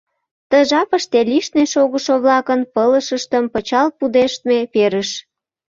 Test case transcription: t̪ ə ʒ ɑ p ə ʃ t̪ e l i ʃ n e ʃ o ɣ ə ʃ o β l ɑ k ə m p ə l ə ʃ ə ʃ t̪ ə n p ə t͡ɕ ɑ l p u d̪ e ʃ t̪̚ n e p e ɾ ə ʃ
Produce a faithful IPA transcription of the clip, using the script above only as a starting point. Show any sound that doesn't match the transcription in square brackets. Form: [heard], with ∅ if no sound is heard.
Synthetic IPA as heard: t̪ ə ʒ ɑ p ə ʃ t̪ e l i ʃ n e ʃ o ɣ ə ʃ o β l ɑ k ə [n] p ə l ə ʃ ə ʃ t̪ ə [m] p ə t͡ɕ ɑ l p u d̪ e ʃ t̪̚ [m] e p e ɾ ə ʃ